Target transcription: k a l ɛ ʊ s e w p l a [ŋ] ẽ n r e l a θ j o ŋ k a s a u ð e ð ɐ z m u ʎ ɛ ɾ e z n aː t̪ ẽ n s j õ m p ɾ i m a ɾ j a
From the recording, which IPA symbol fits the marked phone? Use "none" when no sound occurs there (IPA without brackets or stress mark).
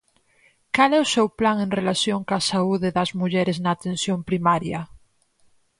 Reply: ŋ